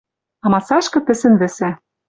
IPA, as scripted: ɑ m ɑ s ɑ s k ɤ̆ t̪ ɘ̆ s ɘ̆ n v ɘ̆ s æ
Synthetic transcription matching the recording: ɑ m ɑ s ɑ ʃ k ɤ̆ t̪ ɘ̆ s ɘ̆ n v ɘ̆ s æ